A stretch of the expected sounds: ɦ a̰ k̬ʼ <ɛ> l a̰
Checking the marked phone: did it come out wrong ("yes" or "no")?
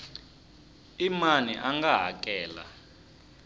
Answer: yes